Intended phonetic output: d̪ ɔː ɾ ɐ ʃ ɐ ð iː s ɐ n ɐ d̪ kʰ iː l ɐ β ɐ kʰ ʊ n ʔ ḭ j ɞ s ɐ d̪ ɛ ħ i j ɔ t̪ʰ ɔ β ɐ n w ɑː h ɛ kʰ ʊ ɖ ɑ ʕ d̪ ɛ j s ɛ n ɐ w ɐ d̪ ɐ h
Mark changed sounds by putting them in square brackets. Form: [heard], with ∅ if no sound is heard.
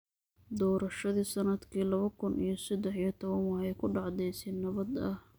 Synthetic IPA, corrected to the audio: d̪ ɔː ɾ ɐ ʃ ɐ ð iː s ɐ n ɐ d̪ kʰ iː l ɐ β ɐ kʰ ʊ n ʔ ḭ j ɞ s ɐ d̪ ɛ ħ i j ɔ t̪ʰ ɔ β ɐ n w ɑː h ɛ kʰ ʊ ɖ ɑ ʕ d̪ ɛ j s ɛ n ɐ [β] ɐ d̪ ɐ h